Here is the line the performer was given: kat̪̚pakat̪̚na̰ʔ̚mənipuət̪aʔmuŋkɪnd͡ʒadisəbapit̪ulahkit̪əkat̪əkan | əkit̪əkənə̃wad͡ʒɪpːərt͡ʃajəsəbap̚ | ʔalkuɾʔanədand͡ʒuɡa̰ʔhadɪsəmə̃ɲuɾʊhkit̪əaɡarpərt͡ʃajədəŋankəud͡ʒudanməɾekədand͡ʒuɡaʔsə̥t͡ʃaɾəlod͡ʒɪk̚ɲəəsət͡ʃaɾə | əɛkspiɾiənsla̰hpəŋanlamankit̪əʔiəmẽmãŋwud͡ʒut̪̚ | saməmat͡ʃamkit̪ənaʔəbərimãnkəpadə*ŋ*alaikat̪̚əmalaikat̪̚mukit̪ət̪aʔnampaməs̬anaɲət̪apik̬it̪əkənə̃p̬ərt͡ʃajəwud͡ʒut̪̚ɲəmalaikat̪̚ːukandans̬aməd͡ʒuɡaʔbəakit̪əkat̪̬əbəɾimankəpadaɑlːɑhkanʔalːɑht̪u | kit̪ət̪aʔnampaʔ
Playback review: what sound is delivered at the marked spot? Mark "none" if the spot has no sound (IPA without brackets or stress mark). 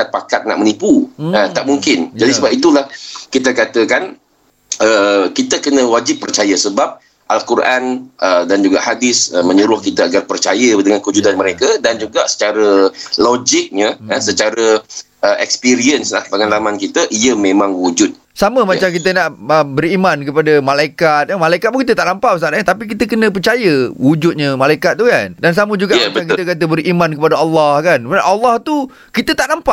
m